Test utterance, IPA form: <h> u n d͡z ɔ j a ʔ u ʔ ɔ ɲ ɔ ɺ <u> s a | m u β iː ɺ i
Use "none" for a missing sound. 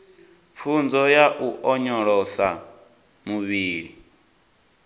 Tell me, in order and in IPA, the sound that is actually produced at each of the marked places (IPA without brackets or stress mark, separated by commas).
f, ɔ